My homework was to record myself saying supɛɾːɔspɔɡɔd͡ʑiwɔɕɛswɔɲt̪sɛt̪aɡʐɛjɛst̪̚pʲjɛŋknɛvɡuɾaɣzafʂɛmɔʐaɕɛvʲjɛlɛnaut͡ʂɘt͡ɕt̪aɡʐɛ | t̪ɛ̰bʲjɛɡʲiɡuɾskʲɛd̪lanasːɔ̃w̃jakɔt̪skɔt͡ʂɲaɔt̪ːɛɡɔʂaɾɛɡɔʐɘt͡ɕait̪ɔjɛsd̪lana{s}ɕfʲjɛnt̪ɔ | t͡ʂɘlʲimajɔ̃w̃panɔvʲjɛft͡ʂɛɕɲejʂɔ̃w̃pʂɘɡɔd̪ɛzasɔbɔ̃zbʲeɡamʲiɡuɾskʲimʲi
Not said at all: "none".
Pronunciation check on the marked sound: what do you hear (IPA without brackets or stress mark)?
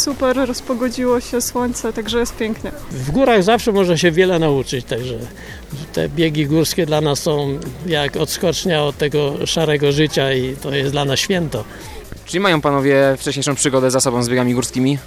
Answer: s